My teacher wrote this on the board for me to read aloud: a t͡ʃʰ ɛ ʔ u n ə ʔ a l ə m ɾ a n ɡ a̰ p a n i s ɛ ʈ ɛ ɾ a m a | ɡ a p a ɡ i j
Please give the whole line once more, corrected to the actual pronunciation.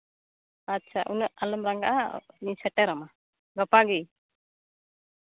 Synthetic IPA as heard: a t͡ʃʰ a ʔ u n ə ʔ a l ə m ɾ a ŋ ɡ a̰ ʔ a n i s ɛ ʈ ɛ ɾ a m a | ɡ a p a ɡ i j